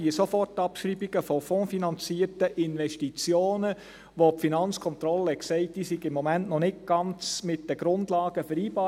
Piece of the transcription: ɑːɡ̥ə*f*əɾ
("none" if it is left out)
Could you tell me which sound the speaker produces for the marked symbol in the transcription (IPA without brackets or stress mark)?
f